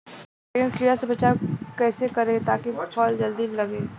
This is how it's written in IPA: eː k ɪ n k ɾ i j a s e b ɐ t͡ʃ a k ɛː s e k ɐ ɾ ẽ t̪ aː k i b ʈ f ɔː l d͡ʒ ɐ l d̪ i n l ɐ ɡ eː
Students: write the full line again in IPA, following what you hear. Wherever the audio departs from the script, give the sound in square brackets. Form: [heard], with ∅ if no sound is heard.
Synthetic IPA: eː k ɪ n k ɾ i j a s e b ɐ t͡ʃ a k ɛː s e k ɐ ɾ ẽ t̪ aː k i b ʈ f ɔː l d͡ʒ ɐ l d̪ i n l ɐ ɡ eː